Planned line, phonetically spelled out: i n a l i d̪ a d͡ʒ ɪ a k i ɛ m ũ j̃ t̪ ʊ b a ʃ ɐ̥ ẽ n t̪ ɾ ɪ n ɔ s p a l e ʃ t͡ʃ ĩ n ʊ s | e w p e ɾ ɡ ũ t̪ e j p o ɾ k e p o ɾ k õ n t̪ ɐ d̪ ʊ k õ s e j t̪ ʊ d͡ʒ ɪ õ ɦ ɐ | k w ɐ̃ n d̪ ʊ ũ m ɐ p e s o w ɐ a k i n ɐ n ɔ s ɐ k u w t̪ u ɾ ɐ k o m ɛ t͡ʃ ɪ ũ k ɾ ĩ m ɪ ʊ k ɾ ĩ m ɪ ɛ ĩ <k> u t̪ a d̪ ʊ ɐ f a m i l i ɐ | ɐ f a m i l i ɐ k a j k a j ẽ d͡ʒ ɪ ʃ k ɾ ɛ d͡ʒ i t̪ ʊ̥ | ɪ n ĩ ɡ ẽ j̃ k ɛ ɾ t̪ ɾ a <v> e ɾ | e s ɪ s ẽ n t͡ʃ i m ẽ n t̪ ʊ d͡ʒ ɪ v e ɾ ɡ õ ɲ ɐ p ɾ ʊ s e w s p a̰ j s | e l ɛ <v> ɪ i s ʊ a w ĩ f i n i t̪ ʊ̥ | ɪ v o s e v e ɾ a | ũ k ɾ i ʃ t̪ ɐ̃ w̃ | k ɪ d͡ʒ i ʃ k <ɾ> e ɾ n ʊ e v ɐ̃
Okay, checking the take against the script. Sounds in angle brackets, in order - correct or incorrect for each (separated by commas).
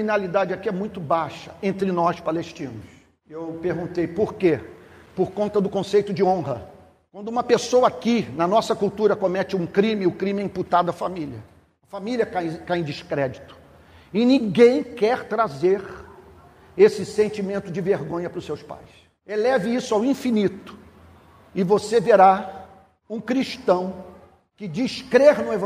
incorrect, incorrect, correct, correct